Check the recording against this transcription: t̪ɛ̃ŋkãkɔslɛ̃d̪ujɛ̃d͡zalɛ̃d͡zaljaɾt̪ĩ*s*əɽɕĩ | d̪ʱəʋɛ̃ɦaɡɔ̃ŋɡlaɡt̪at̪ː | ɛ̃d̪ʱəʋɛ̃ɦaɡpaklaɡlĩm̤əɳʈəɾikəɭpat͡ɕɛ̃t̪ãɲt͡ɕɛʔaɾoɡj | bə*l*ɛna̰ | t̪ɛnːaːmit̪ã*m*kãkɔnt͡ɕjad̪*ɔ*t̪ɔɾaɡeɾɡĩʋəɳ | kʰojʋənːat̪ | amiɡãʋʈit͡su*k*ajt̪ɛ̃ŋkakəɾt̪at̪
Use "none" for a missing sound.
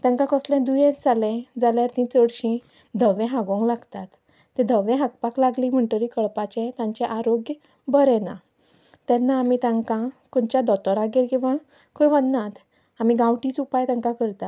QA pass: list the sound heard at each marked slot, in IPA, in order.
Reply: t͡s, ɾ, ŋ, ɔ, p

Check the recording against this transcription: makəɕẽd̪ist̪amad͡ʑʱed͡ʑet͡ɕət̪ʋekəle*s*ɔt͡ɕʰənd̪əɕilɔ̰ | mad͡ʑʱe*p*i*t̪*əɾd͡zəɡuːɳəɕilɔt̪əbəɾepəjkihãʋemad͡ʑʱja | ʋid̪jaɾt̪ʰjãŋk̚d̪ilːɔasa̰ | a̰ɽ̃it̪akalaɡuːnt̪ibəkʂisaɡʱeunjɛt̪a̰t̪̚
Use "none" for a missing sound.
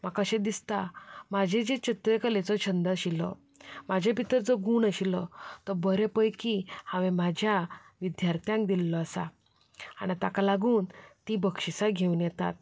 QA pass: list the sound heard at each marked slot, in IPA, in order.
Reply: t͡s, p, t̪

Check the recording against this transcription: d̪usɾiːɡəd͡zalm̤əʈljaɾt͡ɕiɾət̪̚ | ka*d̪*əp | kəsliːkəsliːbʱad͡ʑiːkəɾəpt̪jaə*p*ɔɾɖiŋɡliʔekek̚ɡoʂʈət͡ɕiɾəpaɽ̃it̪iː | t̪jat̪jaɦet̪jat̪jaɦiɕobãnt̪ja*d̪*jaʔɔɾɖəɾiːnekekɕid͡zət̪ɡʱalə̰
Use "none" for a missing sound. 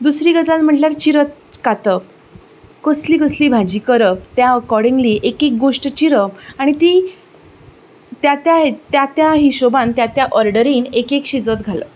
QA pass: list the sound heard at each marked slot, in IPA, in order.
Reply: t̪, k, t̪

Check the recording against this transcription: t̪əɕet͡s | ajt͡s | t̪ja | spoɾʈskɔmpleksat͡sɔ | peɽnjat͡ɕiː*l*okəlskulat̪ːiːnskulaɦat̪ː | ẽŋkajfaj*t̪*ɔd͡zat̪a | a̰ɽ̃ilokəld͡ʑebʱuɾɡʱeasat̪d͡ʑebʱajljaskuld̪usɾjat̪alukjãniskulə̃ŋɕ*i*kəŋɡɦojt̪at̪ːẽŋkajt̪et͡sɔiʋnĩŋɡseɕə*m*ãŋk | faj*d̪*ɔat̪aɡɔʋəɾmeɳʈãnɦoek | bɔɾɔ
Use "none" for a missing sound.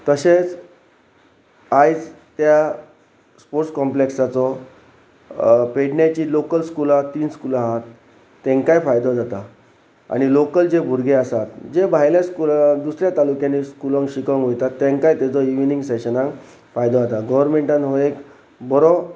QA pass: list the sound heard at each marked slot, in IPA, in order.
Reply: l, d̪, i, n, d̪

